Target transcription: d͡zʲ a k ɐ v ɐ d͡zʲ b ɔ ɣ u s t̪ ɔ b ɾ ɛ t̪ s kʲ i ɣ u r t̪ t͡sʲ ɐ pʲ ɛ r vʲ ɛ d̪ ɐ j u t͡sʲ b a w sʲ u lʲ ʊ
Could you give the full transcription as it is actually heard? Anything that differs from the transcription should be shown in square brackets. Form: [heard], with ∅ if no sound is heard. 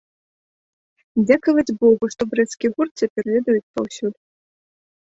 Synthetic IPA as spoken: d͡zʲ a k ɐ v ɐ d͡zʲ b ɔ ɣ u [ʂ] t̪ ɔ b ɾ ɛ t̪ s kʲ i ɣ u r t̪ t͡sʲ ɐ pʲ ɛ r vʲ ɛ d̪ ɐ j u t͡sʲ [p] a w sʲ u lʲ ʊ

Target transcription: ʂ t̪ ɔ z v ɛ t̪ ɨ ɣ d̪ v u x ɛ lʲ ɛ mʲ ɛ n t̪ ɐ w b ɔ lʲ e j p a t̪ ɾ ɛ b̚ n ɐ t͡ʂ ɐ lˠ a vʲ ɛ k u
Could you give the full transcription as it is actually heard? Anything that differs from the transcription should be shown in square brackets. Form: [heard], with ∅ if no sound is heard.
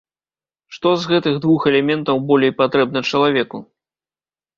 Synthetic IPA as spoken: ʂ t̪ ɔ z [ɣ] ɛ t̪ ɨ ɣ d̪ v u x ɛ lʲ ɛ mʲ ɛ n t̪ ɐ w b ɔ lʲ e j p a t̪ ɾ ɛ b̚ n ɐ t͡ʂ ɐ lˠ a vʲ ɛ k u

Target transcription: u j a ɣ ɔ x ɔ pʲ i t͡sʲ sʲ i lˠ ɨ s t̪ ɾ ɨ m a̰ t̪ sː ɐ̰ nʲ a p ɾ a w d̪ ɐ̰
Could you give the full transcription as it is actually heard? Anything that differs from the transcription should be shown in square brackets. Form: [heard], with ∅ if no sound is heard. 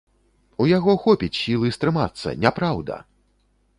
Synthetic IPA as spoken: u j a ɣ ɔ x ɔ pʲ i t͡sʲ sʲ i lˠ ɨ s t̪ ɾ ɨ m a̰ t̪ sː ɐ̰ nʲ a p ɾ a w d̪ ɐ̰

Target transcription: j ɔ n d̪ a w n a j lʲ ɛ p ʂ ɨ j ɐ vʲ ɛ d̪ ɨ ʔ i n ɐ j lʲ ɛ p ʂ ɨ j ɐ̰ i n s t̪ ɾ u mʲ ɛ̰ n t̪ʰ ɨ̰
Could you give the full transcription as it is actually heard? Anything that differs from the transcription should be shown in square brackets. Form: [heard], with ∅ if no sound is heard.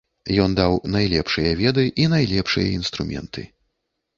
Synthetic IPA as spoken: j ɔ n d̪ a w n a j lʲ ɛ p ʂ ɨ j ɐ vʲ ɛ d̪ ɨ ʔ i n [a] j lʲ ɛ p ʂ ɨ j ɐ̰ i n s t̪ ɾ u mʲ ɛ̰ n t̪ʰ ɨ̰

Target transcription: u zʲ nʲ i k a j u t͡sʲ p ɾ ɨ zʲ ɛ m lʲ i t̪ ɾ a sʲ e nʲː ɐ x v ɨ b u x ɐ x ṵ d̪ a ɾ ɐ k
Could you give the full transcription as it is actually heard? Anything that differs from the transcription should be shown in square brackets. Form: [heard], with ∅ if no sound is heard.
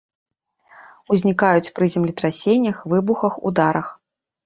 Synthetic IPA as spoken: u zʲ nʲ i k a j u t͡sʲ p ɾ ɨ zʲ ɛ m lʲ i t̪ ɾ a sʲ e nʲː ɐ x v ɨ b u x ɐ x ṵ d̪ a ɾ ɐ [x]

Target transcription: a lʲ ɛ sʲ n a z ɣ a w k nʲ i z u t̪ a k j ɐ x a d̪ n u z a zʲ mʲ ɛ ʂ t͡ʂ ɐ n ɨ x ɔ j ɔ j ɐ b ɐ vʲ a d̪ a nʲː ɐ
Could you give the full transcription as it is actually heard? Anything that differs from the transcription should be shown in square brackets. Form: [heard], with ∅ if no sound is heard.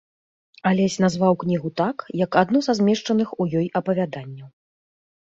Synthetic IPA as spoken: a lʲ ɛ sʲ n a z [v] a w k nʲ i [ɣ] u t̪ a k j ɐ [k] a d̪ n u z a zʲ mʲ ɛ ʂ t͡ʂ ɐ n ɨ x [u] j ɔ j ɐ [p] ɐ vʲ a d̪ a nʲː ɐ

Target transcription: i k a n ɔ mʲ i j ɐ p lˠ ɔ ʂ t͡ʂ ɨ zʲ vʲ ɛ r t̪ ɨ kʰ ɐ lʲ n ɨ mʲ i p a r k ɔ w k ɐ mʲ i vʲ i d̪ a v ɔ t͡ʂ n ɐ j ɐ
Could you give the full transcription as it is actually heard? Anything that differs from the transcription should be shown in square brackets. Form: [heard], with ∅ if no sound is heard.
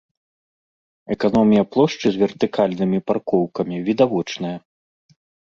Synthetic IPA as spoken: [ɛ] k a n ɔ mʲ i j ɐ p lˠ ɔ ʂ t͡ʂ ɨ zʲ vʲ ɛ r t̪ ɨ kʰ [a] lʲ n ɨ mʲ i p a r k ɔ w k ɐ mʲ i vʲ i d̪ a v ɔ t͡ʂ n ɐ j ɐ

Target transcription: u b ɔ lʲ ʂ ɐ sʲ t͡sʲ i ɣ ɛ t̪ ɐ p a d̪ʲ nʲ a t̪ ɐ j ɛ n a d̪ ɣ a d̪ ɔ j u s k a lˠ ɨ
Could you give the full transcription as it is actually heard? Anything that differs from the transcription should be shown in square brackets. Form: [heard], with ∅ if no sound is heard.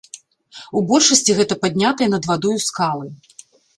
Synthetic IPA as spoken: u b ɔ lʲ ʂ ɐ sʲ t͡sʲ i ɣ ɛ t̪ ɐ p a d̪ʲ nʲ a t̪ ɐ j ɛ n [ɐ] d̪ [v] a d̪ ɔ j u s k a lˠ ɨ

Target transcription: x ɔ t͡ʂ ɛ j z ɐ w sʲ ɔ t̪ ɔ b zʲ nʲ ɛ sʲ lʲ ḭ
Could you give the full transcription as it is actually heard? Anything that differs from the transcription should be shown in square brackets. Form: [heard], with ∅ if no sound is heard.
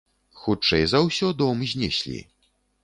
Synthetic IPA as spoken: x [u] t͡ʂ ɛ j z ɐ w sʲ ɔ [d̪] ɔ [m] zʲ nʲ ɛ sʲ lʲ ḭ

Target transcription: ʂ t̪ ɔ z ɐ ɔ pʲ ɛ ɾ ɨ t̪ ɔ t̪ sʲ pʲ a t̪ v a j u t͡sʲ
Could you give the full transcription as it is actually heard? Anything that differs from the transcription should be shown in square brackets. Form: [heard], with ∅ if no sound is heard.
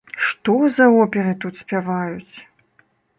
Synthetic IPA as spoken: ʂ t̪ ɔ z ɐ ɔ pʲ ɛ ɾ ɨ t̪ [u] t̪ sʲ pʲ a [∅] v a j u t͡sʲ

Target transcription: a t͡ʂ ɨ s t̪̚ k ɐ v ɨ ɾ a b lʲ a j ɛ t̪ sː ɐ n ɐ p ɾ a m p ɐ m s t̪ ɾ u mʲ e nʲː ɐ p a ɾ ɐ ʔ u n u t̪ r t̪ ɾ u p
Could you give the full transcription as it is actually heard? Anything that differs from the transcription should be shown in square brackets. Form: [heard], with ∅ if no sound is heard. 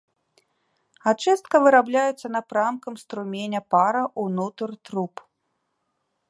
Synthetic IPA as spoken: a t͡ʂ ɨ s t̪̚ k ɐ v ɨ ɾ a b lʲ a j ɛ t̪ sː ɐ n ɐ p ɾ a m [k] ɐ m s t̪ ɾ u mʲ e [nʲ] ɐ p a ɾ ɐ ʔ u n u t̪ r t̪ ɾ u p

